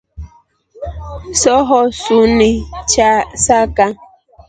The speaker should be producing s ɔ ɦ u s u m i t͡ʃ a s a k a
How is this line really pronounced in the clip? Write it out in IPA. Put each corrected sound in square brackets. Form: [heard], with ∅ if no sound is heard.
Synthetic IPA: s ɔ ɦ [ɔ] s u [n] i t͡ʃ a s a k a

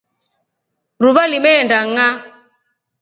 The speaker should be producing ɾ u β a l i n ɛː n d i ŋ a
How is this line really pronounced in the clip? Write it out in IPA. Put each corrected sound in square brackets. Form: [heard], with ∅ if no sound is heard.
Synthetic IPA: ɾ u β a l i [m] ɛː n d [a] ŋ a

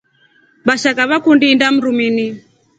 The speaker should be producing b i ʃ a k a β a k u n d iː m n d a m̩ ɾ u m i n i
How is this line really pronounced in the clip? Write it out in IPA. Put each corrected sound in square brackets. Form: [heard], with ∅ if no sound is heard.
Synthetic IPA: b [a] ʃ a k a β a k u n d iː [∅] n d a m̩ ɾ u m i n i

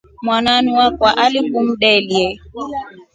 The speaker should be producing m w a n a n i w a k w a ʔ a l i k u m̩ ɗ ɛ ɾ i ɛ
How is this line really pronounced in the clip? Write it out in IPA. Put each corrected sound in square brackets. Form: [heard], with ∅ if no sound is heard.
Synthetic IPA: m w a n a n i w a k w a ʔ a l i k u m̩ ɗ ɛ [l] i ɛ

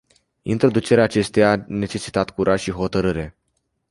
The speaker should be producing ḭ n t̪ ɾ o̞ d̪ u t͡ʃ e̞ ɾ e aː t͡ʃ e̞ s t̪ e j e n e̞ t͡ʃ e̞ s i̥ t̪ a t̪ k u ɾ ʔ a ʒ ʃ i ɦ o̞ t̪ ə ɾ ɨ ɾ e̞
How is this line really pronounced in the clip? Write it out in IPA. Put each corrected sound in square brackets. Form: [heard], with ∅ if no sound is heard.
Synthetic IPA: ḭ n t̪ ɾ o̞ d̪ u t͡ʃ e̞ ɾ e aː t͡ʃ e̞ s t̪ e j [a] n e̞ t͡ʃ e̞ s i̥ t̪ a t̪ k u ɾ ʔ a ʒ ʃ i ɦ o̞ t̪ ə ɾ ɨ ɾ e̞

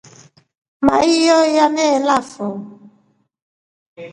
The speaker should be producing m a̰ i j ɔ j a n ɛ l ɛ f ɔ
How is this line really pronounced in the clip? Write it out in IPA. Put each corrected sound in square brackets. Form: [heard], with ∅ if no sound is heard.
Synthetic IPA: m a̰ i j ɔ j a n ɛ l [a] f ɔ

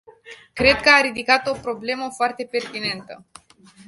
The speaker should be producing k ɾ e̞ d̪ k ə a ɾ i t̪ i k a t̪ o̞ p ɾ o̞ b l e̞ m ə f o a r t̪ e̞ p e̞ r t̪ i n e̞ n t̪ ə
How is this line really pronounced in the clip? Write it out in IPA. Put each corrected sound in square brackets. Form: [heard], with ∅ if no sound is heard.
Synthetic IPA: k ɾ e̞ d̪ k ə a ɾ i [d̪] i k a t̪ o̞ p ɾ o̞ b l e̞ m ə f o a r t̪ e̞ p e̞ r t̪ i n e̞ n t̪ ə

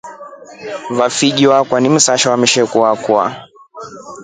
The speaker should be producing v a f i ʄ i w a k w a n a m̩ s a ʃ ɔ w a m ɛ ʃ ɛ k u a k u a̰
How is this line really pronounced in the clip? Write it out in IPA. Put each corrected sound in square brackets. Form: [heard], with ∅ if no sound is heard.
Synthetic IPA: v a f i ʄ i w a k w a n [i] m̩ s a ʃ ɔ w a m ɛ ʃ ɛ k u a k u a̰

